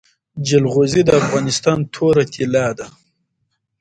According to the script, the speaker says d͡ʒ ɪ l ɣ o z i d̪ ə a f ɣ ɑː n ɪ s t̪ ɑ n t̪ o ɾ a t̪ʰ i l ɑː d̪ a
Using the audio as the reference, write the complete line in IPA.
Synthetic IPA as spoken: d͡ʒ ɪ l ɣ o z i d̪ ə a f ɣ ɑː n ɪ s t̪ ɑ n t̪ʰ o ɾ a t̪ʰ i l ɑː d̪ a